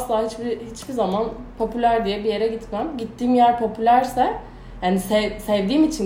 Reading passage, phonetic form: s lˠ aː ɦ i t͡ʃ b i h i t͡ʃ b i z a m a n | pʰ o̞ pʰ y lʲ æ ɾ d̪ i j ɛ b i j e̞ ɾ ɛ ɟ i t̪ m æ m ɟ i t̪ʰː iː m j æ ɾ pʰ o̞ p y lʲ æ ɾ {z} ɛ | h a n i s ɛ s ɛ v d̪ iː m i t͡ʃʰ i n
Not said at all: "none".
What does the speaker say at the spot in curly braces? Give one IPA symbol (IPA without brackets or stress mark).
s